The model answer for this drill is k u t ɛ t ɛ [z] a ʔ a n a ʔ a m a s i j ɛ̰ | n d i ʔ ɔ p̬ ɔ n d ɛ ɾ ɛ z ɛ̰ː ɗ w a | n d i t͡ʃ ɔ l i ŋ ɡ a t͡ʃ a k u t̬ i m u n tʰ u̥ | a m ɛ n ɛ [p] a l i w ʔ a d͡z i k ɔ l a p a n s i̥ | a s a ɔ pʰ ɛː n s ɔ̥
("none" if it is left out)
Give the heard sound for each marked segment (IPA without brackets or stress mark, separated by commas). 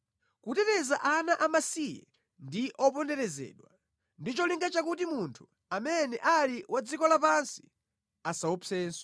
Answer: z, ʔ